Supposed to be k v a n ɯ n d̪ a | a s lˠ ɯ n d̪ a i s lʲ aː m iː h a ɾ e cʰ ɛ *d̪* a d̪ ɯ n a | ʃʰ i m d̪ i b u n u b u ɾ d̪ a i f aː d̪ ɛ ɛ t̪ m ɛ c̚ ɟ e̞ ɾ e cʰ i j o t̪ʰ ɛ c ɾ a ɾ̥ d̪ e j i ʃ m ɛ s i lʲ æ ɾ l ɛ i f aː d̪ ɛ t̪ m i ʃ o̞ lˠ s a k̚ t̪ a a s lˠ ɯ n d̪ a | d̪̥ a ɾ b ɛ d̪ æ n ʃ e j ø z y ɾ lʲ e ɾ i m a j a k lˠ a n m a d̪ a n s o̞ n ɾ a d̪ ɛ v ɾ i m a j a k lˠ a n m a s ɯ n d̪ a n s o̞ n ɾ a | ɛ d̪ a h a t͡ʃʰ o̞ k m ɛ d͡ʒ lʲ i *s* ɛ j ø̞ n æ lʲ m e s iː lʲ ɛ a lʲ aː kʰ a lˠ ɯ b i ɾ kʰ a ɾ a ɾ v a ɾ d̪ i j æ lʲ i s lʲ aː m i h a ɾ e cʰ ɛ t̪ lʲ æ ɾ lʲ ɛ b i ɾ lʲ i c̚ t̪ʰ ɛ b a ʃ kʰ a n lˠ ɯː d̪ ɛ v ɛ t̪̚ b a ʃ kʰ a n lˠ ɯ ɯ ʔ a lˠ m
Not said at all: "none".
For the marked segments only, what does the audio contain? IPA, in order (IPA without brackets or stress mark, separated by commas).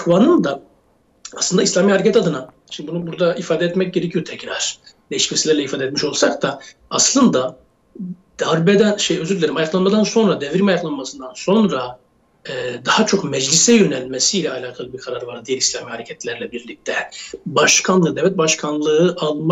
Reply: t̪, s